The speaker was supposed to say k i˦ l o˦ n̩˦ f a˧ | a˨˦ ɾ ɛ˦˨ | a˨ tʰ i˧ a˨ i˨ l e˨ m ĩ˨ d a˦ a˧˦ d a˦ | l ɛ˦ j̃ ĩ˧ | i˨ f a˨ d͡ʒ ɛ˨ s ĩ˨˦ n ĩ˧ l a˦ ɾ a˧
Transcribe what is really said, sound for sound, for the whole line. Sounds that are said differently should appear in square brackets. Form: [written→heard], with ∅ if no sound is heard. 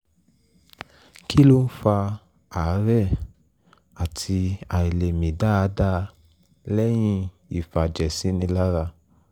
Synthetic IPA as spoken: k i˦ l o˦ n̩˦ f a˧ | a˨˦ ɾ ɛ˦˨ | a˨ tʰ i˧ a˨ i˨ l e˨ m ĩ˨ d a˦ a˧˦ d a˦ | l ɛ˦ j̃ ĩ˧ | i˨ f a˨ d͡ʒ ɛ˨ s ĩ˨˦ n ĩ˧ l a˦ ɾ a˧